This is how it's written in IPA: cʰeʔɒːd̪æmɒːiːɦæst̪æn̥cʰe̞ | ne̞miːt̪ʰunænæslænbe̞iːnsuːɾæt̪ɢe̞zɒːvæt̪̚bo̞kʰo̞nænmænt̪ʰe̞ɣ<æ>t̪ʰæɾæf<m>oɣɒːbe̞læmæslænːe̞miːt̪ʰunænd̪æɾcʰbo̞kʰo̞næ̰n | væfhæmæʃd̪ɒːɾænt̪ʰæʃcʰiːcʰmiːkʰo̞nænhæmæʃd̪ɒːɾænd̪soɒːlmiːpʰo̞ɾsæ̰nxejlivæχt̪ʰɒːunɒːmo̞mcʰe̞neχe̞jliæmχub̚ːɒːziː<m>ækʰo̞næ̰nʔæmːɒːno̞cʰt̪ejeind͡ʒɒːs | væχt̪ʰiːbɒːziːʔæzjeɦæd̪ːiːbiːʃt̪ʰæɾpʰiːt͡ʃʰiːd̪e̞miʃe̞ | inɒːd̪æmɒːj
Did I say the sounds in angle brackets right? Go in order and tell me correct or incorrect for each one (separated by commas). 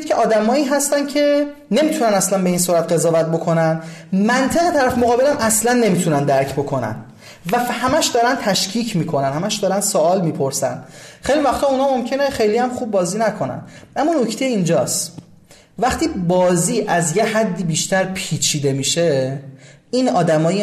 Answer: incorrect, correct, incorrect